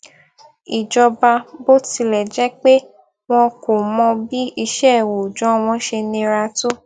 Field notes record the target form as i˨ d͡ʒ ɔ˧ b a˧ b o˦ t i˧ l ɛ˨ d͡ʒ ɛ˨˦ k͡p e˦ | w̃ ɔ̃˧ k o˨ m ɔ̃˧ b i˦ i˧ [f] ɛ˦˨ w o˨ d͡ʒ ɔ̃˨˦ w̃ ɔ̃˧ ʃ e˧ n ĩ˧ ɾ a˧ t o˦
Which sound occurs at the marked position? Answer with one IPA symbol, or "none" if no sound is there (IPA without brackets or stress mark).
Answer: ʃ